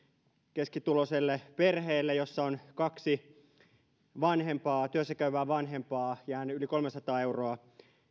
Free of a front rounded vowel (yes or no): no